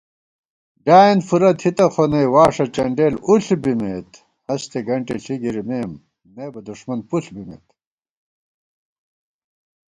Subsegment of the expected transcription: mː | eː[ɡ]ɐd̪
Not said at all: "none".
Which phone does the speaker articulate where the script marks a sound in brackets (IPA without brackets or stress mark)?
b